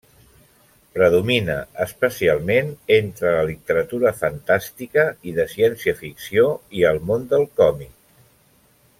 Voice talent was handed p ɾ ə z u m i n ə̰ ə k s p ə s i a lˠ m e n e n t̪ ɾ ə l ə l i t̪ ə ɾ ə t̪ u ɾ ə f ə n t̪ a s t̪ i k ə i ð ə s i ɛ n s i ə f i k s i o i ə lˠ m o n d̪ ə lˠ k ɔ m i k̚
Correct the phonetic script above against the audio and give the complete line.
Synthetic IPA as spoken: p ɾ ə ð u m i n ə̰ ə s p ə s i a lˠ m e n e n t̪ ɾ ə l ə l i t̪ ə ɾ ə t̪ u ɾ ə f ə n t̪ a s t̪ i k ə i ð ə s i ɛ n s i ə f i k s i o i ə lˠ m o n d̪ ə lˠ k ɔ m i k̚